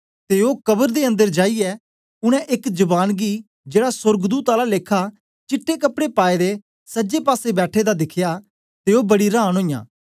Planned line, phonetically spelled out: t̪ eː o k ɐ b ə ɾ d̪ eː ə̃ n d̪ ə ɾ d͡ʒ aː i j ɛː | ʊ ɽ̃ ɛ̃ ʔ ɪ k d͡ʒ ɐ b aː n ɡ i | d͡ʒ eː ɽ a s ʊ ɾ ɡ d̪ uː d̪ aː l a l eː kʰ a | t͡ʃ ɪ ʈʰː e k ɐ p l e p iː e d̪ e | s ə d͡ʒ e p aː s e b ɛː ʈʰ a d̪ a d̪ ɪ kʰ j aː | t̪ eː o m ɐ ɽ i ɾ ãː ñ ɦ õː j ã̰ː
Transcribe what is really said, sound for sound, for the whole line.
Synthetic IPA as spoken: t̪ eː o k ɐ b ə ɾ d̪ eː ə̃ n d̪ ə ɾ d͡ʒ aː i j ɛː | ʊ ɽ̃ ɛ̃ ʔ ɪ k d͡ʒ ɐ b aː n ɡ i | d͡ʒ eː ɽ a s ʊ ɾ ɡ d̪ uː t̪ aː l a l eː kʰ a | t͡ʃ ɪ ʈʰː e k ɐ p ɽ e p aː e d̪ e | s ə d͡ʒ e p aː s e b ɛː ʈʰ e d̪ a d̪ ɪ kʰ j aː | t̪ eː o b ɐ ɽ i ɾ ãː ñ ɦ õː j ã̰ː